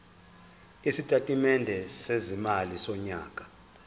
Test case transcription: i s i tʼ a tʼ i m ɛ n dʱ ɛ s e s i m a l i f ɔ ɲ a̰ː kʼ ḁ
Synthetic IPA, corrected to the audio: i s i tʼ a tʼ i m ɛ n dʱ ɛ s e z i m a l i s ɔ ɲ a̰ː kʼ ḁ